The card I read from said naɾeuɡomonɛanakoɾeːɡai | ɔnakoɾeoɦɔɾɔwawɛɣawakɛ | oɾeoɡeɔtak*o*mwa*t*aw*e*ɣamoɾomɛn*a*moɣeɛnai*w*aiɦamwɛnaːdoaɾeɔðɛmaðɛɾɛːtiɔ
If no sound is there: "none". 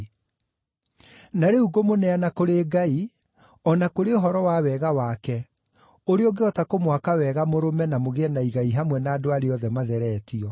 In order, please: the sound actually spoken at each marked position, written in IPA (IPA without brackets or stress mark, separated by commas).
o, k, ɛ, a, ɣ